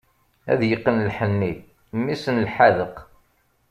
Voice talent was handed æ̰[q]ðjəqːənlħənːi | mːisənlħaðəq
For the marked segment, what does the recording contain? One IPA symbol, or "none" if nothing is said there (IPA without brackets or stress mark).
none